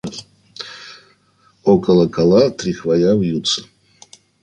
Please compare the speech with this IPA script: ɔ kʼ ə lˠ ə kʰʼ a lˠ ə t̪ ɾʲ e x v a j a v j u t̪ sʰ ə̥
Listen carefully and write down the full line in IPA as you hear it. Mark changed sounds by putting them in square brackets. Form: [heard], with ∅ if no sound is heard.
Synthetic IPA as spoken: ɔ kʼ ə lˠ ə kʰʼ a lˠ [a] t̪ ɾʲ [i] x v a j a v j u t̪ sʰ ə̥

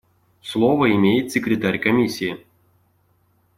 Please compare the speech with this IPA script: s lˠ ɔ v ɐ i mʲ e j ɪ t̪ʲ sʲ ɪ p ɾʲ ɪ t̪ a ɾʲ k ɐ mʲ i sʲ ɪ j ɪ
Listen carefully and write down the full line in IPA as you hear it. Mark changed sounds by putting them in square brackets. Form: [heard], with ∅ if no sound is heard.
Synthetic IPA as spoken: s lˠ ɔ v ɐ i mʲ e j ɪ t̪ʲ sʲ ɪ [k] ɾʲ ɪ t̪ a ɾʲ k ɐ mʲ i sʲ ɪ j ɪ

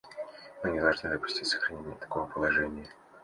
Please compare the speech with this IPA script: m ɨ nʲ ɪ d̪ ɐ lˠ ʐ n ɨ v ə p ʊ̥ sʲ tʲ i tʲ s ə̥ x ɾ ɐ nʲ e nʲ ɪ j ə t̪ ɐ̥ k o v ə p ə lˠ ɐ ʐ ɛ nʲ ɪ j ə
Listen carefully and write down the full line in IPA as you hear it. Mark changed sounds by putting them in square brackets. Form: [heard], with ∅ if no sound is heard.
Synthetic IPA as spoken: m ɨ nʲ ɪ d̪ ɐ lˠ ʐ n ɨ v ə p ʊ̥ sʲ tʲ i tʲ s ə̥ x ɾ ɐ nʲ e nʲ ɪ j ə t̪ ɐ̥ k o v ə p ə lˠ ɐ ʐ ɛ nʲ ɪ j ə

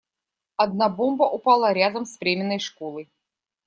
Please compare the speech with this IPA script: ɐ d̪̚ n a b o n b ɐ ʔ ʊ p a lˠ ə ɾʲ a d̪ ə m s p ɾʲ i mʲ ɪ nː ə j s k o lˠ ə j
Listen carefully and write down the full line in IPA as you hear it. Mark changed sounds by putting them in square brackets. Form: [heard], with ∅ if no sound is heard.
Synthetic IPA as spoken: ɐ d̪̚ n a b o [m] b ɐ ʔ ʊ p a lˠ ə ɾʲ a d̪ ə m s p ɾʲ [e] mʲ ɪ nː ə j [ʂ] k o lˠ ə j

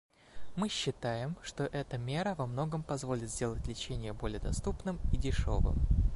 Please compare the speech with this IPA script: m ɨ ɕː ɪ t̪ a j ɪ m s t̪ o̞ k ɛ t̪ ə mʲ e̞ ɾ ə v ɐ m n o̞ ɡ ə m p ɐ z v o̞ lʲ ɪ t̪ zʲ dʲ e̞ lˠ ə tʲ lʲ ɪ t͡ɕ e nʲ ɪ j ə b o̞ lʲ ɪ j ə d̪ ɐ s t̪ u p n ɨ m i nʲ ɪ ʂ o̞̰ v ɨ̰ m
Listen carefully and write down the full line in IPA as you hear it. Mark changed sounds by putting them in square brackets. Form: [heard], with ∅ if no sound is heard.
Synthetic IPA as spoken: m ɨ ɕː ɪ t̪ a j ɪ m [ʂ] t̪ o̞ [ʔ] ɛ t̪ ə mʲ e̞ ɾ ə v ɐ m n o̞ ɡ ə m p ɐ z v o̞ lʲ ɪ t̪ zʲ dʲ e̞ lˠ ə tʲ lʲ ɪ t͡ɕ e nʲ ɪ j ə b o̞ lʲ ɪ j ə d̪ ɐ s t̪ u p n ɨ m i [dʲ] ɪ ʂ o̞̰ v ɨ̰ m

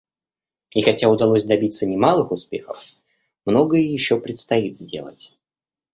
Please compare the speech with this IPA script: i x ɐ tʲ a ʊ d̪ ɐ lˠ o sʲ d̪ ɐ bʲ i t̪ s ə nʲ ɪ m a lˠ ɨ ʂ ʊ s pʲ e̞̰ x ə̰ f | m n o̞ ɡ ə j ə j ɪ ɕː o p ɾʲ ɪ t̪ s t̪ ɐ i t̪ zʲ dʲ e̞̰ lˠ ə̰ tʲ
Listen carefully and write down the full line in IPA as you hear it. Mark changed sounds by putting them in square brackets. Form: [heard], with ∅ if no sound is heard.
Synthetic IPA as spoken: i x ɐ tʲ a ʊ d̪ ɐ lˠ o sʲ d̪ ɐ bʲ i t̪ s ə nʲ ɪ m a lˠ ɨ [x] ʊ s pʲ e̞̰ x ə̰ f | m n o̞ ɡ ə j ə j ɪ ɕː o p ɾʲ ɪ t̪ s t̪ ɐ i t̪ zʲ dʲ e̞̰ lˠ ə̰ tʲ

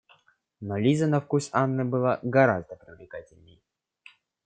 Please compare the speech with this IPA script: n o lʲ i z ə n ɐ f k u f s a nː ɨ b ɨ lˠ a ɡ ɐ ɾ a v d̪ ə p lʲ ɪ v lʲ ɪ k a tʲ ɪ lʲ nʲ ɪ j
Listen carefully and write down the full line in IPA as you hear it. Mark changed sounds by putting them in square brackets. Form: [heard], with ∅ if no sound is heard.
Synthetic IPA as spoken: n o lʲ i z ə n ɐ f k u [∅] s a nː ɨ b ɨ lˠ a ɡ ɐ ɾ a [z] d̪ ə p [ɾʲ] ɪ v lʲ ɪ k a tʲ ɪ lʲ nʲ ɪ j

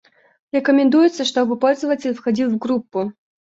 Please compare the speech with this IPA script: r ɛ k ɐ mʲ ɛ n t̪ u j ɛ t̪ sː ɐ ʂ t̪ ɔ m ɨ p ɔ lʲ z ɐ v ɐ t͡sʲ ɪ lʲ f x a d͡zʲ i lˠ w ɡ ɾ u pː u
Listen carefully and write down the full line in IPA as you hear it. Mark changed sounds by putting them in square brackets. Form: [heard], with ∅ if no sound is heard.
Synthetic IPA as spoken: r ɛ k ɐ mʲ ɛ n [d̪] u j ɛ t̪ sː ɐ ʂ t̪ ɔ [b] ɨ p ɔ lʲ z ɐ v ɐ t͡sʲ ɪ lʲ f x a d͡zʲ i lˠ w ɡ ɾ u pː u

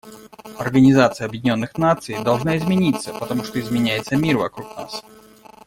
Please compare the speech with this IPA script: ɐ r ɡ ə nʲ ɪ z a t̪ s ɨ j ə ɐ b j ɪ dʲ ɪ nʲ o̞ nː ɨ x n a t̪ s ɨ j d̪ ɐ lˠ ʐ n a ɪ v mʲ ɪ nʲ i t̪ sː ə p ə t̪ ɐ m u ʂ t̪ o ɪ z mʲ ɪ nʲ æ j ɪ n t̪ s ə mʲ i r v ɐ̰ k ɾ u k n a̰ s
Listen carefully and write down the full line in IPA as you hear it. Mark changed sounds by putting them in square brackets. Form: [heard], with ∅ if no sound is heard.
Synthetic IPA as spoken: ɐ r ɡ ə nʲ ɪ z a t̪ s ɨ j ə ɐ b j ɪ dʲ ɪ nʲ o̞ nː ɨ x n a t̪ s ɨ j d̪ ɐ lˠ ʐ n a ɪ [z] mʲ ɪ nʲ i t̪ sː ə p ə t̪ ɐ m u ʂ t̪ o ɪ z mʲ ɪ nʲ æ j ɪ [∅] t̪ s ə mʲ i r v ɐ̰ k ɾ u k n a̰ s

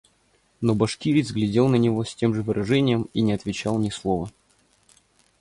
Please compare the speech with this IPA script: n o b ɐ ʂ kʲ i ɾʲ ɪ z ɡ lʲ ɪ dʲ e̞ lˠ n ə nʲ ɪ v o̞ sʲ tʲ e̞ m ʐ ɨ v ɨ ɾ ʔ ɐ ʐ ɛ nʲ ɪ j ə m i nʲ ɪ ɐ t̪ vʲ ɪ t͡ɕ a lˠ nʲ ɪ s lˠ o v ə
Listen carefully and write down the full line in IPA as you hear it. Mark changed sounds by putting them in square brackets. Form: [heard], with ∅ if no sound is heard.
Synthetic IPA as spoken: n o b ɐ ʂ kʲ i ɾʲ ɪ z ɡ lʲ ɪ dʲ e̞ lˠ n ə nʲ ɪ v o̞ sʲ tʲ e̞ m ʐ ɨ v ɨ ɾ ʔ ɐ ʐ ɛ nʲ ɪ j ə m i nʲ ɪ ɐ t̪ vʲ ɪ t͡ɕ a lˠ nʲ ɪ s lˠ o v ə

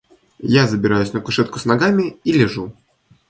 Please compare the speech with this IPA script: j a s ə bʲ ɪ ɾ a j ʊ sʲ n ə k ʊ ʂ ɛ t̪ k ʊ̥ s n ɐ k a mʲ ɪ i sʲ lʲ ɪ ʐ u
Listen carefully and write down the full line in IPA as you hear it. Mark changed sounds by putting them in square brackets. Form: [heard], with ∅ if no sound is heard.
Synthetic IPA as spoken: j a [z] ə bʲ ɪ ɾ a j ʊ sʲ n ə k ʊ ʂ ɛ t̪ k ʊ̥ s n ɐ [ɡ] a mʲ ɪ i [∅] lʲ ɪ ʐ u

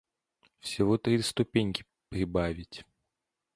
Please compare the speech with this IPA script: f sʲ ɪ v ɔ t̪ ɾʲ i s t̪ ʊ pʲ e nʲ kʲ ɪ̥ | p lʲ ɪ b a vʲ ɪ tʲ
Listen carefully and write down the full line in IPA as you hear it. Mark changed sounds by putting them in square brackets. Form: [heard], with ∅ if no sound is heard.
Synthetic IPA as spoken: f sʲ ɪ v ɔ t̪ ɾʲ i s t̪ ʊ pʲ e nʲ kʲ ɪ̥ | p [ɾʲ] ɪ b a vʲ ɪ tʲ

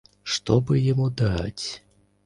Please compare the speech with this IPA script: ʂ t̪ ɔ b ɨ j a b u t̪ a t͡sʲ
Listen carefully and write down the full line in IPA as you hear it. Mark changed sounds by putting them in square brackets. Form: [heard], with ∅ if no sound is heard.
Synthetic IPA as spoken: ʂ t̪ ɔ b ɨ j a [m] u [d̪] a t͡sʲ

